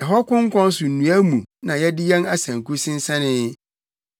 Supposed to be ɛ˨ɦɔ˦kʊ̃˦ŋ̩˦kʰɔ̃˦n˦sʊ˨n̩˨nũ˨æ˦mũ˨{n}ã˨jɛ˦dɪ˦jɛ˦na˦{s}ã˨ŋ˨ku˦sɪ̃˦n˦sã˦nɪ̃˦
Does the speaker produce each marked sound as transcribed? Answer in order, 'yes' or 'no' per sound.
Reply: yes, yes

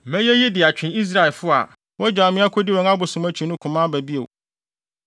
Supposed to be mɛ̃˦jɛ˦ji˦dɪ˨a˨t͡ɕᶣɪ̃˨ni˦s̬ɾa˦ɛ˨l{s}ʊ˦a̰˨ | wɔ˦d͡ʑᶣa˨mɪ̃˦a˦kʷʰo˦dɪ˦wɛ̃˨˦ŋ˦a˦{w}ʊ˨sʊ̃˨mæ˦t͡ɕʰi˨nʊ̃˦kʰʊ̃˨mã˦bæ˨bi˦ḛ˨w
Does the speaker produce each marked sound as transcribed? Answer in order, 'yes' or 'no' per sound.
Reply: no, no

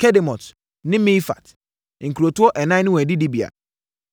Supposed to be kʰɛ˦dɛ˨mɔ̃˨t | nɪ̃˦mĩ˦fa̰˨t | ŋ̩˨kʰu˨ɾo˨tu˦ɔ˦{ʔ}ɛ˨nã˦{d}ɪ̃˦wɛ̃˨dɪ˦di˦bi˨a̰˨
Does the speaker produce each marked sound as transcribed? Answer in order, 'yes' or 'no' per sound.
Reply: yes, no

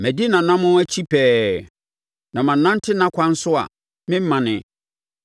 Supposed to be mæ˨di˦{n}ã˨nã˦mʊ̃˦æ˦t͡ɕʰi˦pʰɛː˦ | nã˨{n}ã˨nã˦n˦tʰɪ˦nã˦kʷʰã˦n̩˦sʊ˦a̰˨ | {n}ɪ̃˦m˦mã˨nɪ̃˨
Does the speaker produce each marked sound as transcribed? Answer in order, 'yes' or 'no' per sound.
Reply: yes, no, no

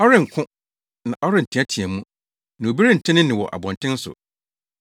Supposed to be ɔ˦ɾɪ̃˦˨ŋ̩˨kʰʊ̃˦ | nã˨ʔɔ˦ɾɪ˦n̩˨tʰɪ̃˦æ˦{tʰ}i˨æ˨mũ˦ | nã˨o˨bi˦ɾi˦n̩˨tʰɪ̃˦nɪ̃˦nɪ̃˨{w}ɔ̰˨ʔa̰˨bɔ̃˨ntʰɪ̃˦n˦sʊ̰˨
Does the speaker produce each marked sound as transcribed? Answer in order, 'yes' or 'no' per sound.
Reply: yes, yes

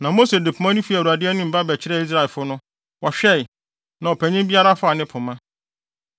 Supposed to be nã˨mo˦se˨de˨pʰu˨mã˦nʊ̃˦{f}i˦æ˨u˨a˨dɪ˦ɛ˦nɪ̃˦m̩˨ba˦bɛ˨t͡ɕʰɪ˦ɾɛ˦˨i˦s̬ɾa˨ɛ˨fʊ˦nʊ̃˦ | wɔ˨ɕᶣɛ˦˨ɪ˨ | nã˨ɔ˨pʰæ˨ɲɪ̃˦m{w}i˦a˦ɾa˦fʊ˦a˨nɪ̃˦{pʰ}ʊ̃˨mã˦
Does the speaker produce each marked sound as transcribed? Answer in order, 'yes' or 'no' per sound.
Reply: yes, no, yes

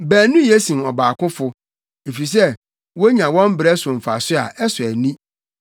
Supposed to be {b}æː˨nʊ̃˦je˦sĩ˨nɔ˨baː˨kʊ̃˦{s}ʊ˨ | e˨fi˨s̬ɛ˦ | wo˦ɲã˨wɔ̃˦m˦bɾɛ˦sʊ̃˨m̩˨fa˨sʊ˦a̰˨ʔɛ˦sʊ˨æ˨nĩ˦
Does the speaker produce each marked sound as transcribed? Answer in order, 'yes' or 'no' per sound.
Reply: yes, no

